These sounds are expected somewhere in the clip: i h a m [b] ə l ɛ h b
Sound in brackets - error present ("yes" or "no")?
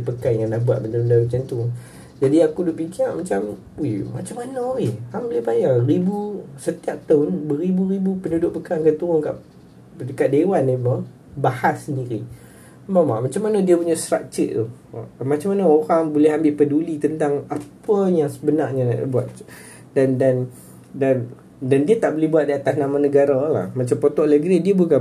no